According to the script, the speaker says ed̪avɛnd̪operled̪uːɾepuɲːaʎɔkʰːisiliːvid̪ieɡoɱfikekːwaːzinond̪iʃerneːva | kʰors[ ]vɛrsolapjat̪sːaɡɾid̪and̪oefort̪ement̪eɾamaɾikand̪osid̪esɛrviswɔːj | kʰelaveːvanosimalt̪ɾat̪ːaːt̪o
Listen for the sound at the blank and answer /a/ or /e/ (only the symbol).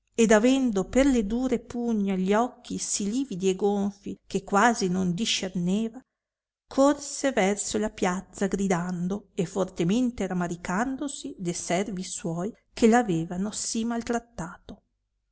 e